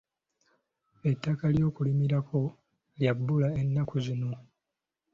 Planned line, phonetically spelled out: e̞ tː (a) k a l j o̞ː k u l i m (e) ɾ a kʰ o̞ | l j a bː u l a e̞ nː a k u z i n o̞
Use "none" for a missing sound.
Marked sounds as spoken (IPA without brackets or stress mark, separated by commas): a, i